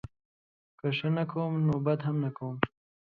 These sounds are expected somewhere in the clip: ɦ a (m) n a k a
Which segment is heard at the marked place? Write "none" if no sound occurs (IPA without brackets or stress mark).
m